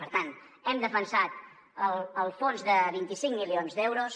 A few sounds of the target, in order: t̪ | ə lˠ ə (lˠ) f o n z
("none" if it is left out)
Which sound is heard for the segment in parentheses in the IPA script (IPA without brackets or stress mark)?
lˠ